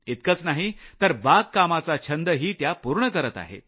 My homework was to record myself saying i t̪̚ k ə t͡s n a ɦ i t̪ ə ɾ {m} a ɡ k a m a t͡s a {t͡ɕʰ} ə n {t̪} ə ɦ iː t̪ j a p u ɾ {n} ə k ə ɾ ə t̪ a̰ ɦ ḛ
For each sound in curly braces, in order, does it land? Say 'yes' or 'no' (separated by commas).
no, yes, no, no